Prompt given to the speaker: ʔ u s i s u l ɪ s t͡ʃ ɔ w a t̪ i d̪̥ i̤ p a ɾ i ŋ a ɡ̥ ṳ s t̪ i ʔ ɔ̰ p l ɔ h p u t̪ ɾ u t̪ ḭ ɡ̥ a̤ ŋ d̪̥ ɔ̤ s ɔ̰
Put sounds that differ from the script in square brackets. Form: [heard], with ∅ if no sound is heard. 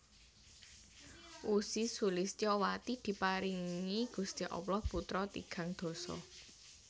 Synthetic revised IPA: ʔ u s i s u l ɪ s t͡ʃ ɔ w a t̪ i d̪̥ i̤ p a ɾ i ŋ [i] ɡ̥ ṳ s t̪ i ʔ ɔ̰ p l ɔ h p u t̪ ɾ [ɔ] t̪ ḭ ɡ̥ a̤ ŋ d̪̥ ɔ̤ s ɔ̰